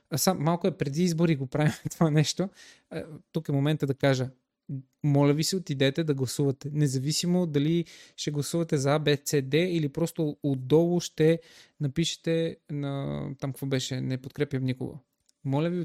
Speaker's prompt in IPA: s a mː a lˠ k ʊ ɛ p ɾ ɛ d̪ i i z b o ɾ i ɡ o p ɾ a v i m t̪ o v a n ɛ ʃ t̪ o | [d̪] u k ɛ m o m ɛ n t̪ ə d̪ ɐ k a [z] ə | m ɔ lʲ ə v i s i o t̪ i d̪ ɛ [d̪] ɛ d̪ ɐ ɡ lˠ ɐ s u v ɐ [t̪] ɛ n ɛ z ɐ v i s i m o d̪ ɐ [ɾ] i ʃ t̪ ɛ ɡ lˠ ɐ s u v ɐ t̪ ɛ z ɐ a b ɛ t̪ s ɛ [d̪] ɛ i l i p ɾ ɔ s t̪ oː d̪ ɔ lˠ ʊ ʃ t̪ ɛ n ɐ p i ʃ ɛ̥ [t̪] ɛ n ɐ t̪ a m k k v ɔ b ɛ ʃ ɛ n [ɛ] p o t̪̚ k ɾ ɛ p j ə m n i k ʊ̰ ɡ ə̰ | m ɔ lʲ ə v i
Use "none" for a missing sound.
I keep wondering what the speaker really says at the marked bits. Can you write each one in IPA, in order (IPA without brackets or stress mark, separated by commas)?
t̪, ʒ, t̪, t̪, l, d̪, t̪, ɛ